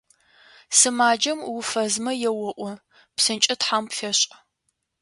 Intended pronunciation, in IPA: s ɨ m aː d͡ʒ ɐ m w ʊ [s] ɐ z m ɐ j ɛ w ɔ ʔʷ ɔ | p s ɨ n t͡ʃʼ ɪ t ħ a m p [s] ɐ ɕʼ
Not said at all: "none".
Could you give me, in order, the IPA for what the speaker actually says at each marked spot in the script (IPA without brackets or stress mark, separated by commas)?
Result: f, f